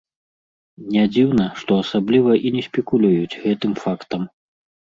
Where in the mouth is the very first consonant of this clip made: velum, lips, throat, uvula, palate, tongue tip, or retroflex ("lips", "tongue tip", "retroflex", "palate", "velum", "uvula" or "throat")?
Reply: tongue tip